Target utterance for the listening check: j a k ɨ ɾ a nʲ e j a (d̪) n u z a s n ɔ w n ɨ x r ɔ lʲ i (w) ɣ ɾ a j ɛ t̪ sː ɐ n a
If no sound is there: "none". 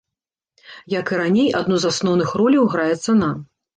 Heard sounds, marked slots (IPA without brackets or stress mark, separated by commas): d̪, w